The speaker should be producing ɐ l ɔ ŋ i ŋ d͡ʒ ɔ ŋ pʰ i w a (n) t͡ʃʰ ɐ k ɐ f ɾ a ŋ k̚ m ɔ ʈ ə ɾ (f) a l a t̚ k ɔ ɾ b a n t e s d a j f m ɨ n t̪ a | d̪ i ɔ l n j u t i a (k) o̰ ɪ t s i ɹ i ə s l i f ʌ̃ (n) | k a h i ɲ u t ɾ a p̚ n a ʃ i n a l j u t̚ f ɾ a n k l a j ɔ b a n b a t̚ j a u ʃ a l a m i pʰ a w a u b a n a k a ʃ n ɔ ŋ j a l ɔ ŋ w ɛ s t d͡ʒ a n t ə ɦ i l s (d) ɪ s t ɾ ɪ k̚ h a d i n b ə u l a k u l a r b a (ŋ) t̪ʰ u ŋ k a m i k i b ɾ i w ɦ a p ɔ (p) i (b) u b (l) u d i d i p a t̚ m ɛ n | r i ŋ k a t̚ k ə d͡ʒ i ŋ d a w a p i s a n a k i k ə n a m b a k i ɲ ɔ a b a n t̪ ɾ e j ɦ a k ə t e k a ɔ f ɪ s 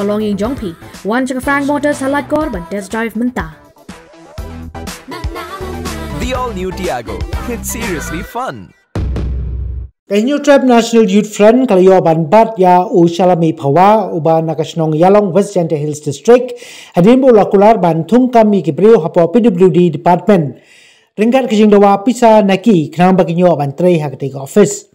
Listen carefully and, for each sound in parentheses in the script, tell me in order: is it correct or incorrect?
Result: correct, incorrect, incorrect, correct, correct, incorrect, correct, incorrect, correct

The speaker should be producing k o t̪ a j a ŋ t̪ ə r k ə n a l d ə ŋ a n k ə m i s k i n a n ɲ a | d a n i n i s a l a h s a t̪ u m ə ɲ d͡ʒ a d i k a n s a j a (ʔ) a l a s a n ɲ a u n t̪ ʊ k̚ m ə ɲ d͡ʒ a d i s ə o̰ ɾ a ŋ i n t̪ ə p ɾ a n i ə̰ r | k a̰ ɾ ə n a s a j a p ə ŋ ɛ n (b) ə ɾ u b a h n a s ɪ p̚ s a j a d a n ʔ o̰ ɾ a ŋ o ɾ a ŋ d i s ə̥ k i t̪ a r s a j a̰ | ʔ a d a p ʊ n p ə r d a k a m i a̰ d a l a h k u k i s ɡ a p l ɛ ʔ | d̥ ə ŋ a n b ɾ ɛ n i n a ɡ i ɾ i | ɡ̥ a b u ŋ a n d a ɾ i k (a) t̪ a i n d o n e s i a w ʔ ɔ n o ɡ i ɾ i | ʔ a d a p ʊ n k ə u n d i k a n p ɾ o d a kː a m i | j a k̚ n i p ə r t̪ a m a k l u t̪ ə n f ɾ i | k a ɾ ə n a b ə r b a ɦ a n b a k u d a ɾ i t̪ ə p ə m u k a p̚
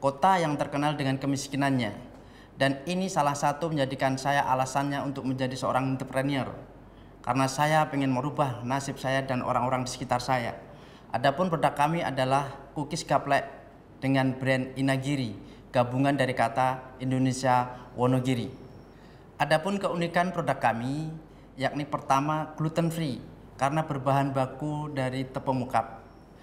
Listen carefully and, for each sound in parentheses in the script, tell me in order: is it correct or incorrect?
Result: correct, incorrect, correct

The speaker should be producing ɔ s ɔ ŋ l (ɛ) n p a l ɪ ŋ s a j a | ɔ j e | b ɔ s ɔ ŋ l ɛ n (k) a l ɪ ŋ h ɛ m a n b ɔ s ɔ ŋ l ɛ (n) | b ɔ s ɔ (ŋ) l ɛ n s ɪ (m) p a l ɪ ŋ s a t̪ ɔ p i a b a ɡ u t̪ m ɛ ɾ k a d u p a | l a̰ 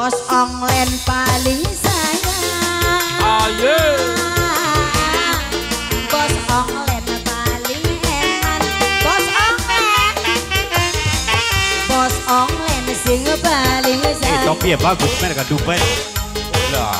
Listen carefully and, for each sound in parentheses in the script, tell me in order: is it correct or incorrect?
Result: correct, incorrect, correct, correct, incorrect

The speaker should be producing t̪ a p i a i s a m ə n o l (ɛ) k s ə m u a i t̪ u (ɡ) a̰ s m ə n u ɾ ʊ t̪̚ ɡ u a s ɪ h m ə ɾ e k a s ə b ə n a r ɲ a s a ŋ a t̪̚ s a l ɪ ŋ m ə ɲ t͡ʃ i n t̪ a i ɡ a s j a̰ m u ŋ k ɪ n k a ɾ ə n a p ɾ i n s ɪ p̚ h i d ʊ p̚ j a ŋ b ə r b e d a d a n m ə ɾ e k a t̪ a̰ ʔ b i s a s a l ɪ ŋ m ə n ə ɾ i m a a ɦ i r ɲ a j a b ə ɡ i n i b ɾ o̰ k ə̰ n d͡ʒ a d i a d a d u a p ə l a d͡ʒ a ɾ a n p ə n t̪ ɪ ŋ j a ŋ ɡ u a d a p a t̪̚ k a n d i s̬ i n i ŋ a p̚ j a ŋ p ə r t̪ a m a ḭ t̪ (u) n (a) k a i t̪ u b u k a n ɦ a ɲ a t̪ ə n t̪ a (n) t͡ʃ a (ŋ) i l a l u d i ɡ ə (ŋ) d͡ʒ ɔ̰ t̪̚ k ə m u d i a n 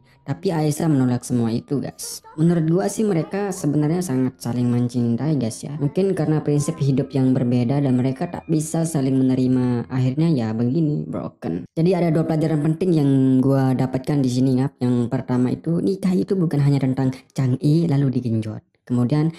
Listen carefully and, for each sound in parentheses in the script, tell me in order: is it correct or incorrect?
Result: incorrect, correct, correct, incorrect, incorrect, correct, incorrect

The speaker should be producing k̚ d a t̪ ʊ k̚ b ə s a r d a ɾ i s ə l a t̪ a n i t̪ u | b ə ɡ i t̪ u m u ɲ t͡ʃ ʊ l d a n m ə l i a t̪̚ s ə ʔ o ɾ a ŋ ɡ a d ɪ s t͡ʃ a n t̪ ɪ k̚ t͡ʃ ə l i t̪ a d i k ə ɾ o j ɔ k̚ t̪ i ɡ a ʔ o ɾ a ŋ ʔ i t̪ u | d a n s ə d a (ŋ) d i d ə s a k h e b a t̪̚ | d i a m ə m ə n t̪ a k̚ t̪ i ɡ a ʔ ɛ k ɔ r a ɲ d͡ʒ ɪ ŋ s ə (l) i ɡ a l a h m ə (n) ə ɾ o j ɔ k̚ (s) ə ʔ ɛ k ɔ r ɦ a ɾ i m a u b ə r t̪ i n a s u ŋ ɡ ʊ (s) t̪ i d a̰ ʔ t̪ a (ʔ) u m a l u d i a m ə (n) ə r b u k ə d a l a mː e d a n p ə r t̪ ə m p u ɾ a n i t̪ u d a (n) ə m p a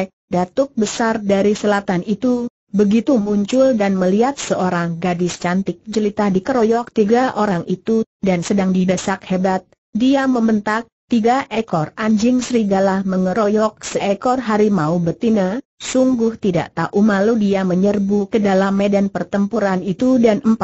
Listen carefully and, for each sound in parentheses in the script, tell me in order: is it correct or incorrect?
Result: correct, incorrect, incorrect, correct, incorrect, correct, incorrect, correct

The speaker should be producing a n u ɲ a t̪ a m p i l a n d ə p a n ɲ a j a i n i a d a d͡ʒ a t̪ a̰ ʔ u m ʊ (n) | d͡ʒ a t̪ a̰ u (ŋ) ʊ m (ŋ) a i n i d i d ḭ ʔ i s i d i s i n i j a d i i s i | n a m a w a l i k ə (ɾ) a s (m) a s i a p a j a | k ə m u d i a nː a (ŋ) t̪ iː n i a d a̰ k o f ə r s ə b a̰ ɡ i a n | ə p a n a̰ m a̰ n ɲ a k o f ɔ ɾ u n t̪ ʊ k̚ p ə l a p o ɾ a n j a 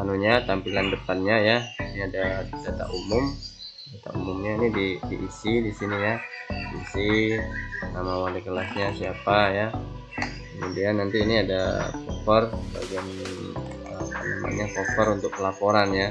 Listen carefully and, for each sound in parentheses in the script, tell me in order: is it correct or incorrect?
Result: incorrect, incorrect, incorrect, incorrect, incorrect, incorrect

